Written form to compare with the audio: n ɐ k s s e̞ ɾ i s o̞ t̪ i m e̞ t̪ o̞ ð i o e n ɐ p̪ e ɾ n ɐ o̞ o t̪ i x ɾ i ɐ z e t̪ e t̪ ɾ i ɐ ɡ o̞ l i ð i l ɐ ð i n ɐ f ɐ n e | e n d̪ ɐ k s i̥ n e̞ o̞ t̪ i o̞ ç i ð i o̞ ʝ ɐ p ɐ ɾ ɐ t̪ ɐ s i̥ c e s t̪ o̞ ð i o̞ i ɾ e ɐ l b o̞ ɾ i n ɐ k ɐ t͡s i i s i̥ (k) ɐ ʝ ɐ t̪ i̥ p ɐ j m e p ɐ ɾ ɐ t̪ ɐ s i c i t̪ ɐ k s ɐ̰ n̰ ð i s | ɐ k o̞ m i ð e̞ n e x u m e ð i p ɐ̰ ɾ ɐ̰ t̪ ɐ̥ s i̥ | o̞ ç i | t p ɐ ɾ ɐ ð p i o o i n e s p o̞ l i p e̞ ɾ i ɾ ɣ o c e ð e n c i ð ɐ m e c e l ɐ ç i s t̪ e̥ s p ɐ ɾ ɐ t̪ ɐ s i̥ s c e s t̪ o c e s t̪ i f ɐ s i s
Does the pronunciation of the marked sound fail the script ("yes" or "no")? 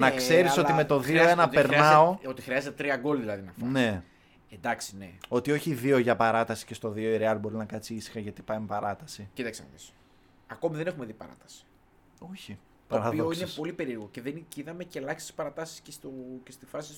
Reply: yes